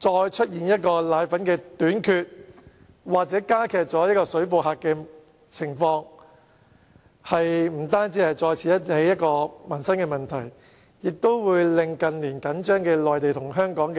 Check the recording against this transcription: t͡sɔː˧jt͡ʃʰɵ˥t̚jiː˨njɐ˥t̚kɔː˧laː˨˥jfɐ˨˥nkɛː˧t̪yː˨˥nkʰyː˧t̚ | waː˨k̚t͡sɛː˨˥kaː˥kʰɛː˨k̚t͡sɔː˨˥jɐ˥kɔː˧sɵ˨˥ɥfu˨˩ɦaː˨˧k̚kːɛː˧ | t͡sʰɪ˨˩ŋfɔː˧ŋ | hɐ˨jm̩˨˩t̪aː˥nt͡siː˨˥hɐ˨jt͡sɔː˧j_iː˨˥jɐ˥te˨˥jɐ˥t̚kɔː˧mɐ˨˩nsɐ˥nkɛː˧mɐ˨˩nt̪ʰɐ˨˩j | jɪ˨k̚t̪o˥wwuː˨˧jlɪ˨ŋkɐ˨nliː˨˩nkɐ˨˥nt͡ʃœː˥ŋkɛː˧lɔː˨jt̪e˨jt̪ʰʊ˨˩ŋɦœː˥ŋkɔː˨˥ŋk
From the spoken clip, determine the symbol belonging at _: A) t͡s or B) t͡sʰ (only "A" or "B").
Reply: B